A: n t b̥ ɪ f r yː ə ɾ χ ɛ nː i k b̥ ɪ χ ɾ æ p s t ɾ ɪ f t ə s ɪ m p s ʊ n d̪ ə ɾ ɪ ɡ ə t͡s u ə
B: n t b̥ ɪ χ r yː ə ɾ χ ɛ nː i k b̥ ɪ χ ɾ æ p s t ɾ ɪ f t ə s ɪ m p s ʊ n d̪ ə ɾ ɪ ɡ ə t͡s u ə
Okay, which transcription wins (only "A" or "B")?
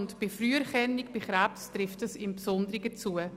A